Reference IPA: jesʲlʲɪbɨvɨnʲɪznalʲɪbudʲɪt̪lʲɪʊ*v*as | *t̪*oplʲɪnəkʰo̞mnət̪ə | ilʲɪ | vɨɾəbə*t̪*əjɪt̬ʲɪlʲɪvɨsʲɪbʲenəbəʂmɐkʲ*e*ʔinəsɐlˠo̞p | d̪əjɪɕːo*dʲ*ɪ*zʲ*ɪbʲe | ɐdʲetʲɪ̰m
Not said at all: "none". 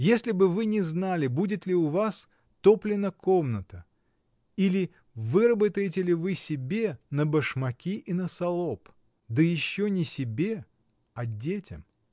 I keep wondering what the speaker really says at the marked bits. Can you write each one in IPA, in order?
v, t̪, t̪, i, nʲ, sʲ

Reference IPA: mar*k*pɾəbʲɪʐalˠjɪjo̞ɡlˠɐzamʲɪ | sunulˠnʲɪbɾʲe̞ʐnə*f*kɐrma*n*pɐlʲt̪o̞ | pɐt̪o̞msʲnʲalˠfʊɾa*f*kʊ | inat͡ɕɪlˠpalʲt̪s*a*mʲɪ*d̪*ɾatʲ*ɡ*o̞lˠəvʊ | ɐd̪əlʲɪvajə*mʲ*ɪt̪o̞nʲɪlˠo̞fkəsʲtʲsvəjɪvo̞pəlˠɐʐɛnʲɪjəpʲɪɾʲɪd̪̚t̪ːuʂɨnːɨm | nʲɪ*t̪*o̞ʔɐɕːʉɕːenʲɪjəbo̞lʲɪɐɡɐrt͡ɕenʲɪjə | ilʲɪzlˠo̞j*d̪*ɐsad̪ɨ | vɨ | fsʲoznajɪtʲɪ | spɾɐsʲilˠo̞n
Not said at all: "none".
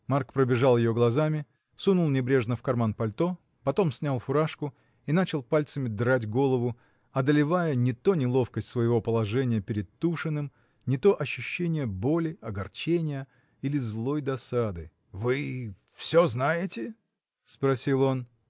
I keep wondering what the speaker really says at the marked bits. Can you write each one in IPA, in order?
k, f, n, ʂ, ə, d̪, ɡ, nʲ, t̪, d̪

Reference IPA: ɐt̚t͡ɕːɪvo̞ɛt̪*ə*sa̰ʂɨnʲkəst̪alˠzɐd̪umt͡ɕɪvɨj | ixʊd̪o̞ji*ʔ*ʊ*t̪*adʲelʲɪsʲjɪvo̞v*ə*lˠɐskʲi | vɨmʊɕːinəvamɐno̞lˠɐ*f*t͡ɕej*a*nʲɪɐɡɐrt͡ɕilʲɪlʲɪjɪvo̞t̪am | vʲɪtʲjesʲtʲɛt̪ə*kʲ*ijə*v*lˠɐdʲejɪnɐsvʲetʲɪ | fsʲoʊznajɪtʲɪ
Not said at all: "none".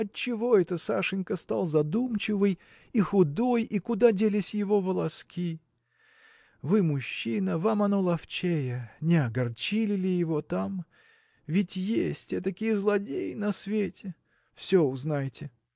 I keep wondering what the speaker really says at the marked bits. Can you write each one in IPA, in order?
ə, k, d̪, ə, f, ə, kʲ, z

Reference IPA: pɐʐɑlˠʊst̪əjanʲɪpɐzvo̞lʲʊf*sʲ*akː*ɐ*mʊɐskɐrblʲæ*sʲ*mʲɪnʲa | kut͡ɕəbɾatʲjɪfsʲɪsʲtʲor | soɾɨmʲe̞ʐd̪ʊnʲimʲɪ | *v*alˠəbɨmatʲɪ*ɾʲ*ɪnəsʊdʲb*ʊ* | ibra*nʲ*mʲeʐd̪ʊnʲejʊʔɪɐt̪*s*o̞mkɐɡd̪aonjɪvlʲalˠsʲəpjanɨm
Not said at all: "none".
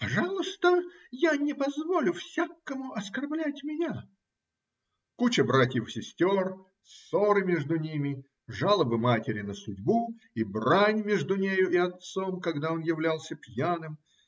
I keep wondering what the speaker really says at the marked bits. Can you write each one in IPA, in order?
sʲ, ə, tʲ, ʐ, ɾʲ, u, nʲ, s

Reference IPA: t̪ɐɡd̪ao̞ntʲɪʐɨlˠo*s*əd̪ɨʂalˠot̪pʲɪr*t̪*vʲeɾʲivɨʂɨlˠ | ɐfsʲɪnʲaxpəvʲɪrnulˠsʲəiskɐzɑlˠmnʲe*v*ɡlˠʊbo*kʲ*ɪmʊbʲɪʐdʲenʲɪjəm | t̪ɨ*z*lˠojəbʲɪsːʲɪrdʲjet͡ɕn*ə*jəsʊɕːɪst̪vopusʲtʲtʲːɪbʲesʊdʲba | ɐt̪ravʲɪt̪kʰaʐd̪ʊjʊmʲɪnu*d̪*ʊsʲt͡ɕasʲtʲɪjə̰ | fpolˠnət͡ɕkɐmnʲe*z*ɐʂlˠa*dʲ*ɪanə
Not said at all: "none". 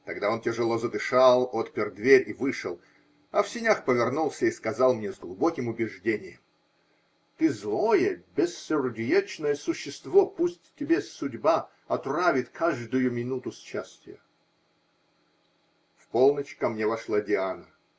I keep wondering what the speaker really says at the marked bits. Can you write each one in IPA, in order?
z, d̪, z, kʲ, z, ə, t̪, v, dʲ

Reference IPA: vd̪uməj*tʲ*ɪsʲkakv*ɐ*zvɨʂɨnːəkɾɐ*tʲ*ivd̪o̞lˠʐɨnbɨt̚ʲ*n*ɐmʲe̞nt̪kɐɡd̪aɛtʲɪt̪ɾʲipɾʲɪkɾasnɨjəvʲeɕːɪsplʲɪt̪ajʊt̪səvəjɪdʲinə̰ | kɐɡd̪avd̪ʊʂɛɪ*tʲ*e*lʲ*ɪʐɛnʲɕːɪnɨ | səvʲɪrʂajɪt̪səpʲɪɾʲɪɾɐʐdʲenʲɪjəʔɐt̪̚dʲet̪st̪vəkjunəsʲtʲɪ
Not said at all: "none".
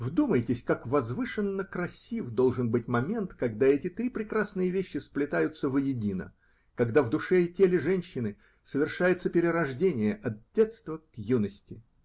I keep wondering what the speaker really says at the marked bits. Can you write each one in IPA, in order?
tʲ, ɐ, sʲ, m, tʲ, lʲ

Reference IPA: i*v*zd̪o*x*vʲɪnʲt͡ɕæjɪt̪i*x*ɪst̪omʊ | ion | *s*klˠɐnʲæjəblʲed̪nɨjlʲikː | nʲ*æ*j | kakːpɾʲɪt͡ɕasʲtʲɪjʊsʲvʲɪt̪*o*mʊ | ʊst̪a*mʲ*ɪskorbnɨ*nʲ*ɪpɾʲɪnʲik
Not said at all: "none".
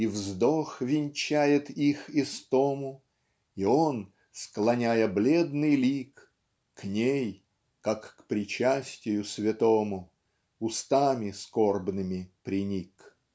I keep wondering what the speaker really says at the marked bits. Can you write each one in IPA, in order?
v, x, x, s, e, o, mʲ, mʲ

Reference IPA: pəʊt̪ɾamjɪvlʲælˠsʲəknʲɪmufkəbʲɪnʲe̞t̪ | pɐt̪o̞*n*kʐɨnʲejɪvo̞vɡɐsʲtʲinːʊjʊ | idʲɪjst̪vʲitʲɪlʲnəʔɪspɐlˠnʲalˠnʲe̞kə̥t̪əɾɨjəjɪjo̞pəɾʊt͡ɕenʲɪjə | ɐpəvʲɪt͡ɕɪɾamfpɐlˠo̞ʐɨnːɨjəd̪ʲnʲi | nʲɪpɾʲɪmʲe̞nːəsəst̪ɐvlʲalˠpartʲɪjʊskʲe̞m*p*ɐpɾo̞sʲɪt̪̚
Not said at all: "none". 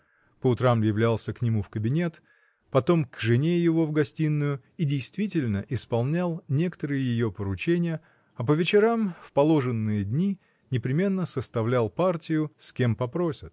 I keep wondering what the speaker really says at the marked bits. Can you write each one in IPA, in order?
m, p

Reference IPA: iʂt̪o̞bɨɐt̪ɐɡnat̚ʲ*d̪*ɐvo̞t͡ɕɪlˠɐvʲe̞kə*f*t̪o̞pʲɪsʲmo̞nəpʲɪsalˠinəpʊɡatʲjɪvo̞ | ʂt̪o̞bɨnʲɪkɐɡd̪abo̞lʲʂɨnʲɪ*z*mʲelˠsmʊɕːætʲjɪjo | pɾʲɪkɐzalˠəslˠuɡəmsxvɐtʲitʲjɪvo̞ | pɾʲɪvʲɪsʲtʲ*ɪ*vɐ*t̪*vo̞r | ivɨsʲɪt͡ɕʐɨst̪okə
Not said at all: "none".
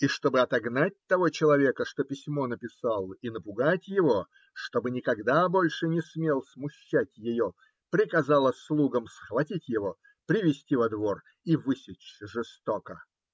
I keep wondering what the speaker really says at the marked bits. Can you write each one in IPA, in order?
t̪, ʂ, s, i, d̪

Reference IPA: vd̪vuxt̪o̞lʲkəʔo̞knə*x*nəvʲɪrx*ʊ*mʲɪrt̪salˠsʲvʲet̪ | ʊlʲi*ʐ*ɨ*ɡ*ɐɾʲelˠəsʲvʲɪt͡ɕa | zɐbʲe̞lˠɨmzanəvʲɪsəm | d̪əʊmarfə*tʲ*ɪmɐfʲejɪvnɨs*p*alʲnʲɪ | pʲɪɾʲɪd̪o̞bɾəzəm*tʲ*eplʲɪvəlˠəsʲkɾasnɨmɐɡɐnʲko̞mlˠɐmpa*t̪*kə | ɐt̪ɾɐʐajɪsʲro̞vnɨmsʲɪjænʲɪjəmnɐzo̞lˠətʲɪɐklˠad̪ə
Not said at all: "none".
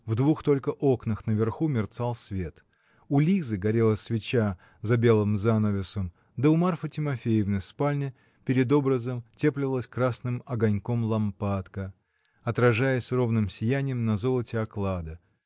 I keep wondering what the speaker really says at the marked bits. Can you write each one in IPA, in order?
x, u, z, ɡ, tʲ, p, tʲ, t̪

